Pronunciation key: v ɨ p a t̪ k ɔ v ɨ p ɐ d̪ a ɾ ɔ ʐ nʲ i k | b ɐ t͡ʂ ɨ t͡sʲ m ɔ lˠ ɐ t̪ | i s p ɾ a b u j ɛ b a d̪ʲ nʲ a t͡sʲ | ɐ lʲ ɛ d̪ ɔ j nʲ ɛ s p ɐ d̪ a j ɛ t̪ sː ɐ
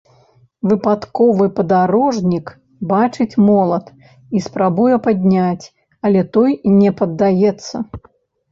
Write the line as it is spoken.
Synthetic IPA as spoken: v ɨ p a t̪ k ɔ v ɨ p ɐ d̪ a ɾ ɔ ʐ nʲ i k | b a t͡ʂ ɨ t͡sʲ m ɔ lˠ ɐ t̪ | i s p ɾ a b u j ɛ p a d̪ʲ nʲ a t͡sʲ | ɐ lʲ ɛ t̪ ɔ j nʲ ɛ p ɐ d̪ː a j ɛ t̪ sː ɐ